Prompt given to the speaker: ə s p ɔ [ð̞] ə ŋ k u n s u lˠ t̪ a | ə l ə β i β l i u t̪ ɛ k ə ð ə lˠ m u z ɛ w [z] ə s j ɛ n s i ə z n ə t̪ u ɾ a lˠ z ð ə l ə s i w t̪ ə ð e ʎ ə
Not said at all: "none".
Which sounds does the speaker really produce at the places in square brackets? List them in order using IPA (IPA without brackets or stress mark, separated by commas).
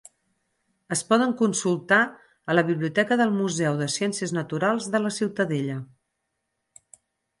ð̞, ð